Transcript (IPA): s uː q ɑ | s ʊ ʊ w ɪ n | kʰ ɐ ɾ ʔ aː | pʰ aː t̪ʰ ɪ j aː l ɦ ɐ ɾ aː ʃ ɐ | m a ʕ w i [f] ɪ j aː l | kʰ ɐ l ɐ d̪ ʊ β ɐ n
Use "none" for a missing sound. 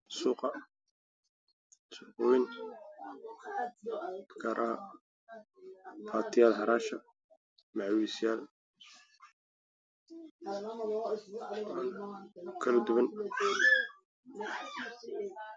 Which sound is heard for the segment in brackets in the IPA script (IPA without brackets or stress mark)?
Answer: s